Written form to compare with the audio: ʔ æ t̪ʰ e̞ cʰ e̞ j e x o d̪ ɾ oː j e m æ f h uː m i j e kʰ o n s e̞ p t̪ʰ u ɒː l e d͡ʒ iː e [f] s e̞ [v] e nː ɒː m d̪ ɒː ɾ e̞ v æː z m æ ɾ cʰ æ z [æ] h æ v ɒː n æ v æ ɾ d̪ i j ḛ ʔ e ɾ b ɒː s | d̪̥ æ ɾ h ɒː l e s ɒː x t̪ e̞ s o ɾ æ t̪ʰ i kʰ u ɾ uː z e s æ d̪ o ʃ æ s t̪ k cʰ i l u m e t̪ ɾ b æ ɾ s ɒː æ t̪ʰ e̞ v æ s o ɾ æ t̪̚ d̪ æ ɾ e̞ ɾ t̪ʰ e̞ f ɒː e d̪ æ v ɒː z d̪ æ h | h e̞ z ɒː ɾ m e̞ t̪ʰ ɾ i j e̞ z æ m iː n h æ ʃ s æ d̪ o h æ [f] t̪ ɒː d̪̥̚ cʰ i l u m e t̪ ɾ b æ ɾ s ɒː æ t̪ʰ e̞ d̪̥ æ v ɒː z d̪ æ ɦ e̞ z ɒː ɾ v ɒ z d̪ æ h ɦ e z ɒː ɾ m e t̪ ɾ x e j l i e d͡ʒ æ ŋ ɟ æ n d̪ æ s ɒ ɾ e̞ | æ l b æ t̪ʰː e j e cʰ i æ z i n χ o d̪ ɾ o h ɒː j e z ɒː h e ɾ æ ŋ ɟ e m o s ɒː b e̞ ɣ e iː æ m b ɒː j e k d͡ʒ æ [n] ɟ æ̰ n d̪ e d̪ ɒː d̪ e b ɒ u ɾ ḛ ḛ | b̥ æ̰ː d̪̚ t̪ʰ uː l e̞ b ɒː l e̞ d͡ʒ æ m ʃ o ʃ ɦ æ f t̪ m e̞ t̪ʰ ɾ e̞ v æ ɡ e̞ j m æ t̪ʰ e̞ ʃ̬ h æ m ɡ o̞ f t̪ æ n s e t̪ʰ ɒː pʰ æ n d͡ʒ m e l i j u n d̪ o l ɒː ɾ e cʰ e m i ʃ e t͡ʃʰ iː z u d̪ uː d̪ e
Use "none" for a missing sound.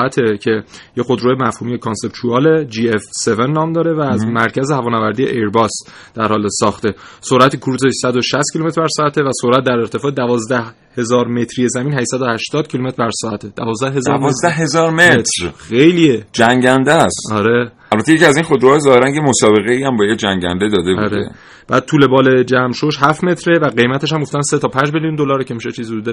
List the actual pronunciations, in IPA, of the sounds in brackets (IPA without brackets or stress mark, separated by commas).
f, v, e, ʃ, ŋ